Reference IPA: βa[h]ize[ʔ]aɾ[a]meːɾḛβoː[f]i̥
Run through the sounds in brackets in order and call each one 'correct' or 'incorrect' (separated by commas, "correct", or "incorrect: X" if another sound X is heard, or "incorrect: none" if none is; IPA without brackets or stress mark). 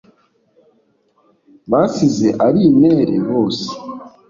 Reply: incorrect: s, correct, incorrect: i, incorrect: s